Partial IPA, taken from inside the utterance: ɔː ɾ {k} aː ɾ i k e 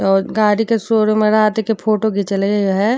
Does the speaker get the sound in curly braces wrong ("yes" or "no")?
yes